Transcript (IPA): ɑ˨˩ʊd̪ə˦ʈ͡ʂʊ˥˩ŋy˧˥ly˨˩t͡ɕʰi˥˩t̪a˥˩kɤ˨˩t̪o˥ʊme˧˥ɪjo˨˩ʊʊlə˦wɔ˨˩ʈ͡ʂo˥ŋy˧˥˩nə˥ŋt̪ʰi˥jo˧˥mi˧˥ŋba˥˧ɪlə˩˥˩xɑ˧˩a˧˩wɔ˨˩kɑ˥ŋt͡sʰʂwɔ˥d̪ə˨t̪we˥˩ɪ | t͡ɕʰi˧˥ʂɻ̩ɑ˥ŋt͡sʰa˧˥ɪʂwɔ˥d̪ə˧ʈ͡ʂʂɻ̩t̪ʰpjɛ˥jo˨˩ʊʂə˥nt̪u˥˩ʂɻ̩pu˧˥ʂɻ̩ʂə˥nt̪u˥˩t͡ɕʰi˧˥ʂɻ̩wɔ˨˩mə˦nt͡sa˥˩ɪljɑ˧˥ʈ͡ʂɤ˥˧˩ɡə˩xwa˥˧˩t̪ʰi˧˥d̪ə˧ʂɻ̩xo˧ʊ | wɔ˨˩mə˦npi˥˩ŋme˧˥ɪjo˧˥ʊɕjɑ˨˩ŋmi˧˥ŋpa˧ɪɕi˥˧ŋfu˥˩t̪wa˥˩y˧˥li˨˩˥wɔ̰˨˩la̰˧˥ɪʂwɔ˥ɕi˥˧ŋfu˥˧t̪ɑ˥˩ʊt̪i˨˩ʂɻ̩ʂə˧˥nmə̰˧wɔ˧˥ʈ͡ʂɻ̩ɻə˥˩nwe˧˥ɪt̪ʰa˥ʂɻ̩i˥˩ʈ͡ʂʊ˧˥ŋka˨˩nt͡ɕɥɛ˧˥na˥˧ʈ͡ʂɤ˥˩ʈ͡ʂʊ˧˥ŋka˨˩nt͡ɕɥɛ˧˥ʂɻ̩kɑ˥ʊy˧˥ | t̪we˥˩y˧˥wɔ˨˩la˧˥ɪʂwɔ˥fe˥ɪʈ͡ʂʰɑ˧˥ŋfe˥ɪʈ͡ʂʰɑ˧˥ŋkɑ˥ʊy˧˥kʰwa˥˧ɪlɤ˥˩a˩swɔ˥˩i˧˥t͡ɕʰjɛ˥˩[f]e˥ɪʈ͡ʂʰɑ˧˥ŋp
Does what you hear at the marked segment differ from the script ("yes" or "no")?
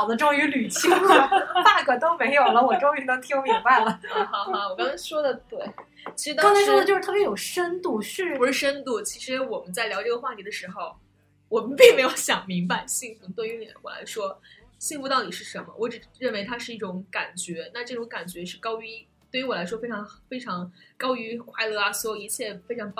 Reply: no